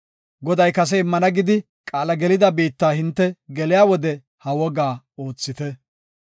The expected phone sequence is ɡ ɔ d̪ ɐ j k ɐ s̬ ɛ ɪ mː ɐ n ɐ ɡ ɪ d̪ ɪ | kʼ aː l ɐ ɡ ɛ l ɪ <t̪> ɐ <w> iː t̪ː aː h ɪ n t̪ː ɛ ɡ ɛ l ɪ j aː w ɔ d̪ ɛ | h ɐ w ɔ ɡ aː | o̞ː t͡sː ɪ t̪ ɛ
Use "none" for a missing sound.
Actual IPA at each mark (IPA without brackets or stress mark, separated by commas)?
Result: d̪, b